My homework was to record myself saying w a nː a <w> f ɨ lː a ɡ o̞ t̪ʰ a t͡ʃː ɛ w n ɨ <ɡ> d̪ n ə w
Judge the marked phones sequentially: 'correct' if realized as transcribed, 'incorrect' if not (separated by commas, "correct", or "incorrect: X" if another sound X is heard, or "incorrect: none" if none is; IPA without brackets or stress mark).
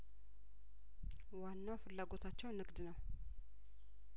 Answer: correct, correct